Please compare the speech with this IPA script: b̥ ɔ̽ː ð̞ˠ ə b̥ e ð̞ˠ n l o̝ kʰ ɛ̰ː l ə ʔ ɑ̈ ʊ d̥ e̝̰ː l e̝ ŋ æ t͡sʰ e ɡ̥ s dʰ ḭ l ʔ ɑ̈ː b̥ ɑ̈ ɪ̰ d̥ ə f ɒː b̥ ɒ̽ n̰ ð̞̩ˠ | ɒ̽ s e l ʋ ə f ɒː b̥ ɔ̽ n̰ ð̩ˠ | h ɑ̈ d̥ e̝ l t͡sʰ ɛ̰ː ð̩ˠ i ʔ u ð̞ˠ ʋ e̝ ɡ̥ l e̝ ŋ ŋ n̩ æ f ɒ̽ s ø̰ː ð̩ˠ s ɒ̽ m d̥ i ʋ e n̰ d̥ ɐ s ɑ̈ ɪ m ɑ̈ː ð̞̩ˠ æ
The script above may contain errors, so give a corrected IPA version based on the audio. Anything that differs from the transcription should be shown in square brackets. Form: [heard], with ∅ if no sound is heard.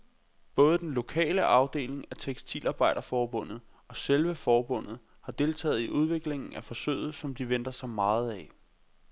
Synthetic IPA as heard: b̥ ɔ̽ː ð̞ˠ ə [d̥] e [∅] n l o̝ kʰ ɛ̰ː l ə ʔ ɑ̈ ʊ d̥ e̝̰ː l e̝ ŋ æ t͡sʰ e ɡ̥ s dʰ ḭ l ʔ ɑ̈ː b̥ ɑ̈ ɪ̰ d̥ [ɐ] f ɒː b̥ [ɔ̽] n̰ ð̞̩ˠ | ɒ̽ s e l ʋ ə f ɒː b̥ ɔ̽ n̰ ð̩ˠ | h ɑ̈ d̥ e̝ l t͡sʰ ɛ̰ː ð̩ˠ i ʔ u ð̞ˠ ʋ e̝ ɡ̥ l e̝ ŋ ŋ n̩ æ f ɒ̽ s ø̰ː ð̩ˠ s ɒ̽ m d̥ i ʋ e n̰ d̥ ɐ s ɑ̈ ɪ m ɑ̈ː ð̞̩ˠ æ